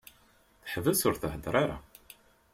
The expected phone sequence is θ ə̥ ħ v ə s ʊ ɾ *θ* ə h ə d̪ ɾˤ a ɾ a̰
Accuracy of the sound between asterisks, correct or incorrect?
correct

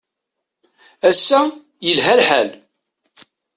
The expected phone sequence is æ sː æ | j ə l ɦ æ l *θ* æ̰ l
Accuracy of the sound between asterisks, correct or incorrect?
incorrect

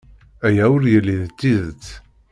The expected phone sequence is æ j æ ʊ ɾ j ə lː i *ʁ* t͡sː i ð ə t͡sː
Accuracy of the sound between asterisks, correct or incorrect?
incorrect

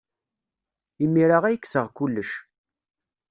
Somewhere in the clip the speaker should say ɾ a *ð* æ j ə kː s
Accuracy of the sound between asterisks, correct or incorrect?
incorrect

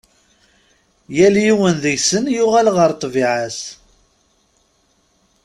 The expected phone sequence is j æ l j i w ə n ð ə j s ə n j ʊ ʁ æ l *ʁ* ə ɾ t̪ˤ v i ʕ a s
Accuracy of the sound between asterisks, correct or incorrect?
correct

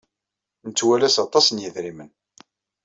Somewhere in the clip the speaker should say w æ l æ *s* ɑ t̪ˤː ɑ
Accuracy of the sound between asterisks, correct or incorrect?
correct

